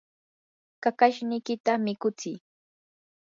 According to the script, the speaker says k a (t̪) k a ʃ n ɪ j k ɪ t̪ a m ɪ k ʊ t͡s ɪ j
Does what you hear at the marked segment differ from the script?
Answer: yes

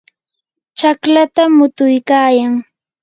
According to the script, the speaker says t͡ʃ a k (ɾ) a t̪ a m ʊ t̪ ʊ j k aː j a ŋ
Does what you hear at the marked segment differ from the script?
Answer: yes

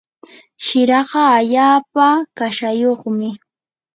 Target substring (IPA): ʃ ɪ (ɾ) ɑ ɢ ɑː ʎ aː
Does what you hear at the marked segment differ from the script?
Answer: no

